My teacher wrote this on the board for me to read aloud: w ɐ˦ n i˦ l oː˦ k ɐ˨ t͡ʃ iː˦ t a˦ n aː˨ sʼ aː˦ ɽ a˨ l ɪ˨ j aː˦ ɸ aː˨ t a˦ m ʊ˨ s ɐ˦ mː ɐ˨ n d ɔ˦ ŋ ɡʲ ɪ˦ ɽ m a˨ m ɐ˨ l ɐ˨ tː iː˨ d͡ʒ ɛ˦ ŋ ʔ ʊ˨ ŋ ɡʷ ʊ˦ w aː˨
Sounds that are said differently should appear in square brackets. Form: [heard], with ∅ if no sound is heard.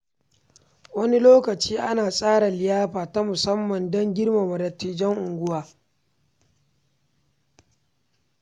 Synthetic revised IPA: w ɐ˦ n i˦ l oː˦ k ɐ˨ t͡ʃ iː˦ [ʔ] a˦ n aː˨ sʼ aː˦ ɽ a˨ l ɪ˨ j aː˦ ɸ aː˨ t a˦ m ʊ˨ s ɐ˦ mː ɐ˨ n d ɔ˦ ŋ ɡʲ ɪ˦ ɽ m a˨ m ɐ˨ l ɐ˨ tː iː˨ d͡ʒ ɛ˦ ŋ ʔ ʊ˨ ŋ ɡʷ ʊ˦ w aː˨

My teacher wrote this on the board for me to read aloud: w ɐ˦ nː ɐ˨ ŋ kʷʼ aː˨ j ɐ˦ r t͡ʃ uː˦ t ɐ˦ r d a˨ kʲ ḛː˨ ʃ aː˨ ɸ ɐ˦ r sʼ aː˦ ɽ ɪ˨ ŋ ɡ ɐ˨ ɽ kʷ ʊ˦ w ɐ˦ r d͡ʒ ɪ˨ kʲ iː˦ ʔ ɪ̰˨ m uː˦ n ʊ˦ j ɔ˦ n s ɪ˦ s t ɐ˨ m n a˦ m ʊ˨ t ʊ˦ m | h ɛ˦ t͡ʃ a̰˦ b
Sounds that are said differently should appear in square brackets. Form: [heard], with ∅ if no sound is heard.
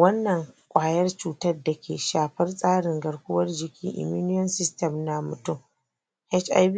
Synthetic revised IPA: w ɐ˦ nː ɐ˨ ŋ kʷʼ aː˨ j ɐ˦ r t͡ʃ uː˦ t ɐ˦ r d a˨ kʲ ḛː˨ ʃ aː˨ ɸ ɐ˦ r sʼ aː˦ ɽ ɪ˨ ŋ ɡ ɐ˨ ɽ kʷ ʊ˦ w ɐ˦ r d͡ʒ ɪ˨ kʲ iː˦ ʔ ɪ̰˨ m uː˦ n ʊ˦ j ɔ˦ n s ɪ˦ s t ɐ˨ m n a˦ m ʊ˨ t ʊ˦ m | h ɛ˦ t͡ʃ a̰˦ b

